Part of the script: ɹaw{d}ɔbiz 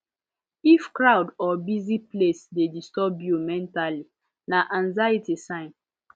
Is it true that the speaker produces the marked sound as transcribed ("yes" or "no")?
yes